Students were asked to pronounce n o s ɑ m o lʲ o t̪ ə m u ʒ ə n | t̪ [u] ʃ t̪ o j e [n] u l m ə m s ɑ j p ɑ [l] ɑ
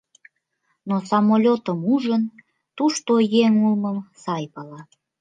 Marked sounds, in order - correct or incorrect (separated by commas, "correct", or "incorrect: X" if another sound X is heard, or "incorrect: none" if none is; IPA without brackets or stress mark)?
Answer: correct, incorrect: ŋ, correct